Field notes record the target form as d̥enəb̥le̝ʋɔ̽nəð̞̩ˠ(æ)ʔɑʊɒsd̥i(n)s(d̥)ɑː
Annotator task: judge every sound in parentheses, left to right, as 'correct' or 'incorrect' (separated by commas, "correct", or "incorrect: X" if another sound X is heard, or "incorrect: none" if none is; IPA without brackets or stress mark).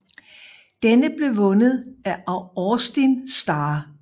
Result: correct, correct, correct